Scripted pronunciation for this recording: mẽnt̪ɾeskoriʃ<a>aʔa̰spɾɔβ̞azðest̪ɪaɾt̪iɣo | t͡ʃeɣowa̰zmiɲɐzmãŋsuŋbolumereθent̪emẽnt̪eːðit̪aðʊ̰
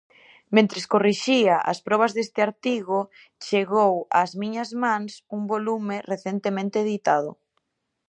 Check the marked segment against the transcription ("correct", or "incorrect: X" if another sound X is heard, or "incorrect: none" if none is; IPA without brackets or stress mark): incorrect: i